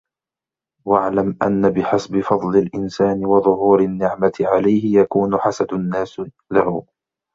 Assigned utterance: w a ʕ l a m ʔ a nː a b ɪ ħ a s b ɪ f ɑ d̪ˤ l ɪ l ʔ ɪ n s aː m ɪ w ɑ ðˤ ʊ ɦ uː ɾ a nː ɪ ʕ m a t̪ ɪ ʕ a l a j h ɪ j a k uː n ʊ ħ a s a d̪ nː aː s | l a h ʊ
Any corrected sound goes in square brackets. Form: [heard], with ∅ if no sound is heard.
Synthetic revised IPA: w a ʕ l a m ʔ a nː a b ɪ ħ a s b ɪ f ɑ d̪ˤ l ɪ l ʔ ɪ n s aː [n] ɪ w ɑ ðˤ ʊ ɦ uː ɾ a nː ɪ ʕ m a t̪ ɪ ʕ a l a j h ɪ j a k uː n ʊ ħ a s a d̪ nː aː s | l a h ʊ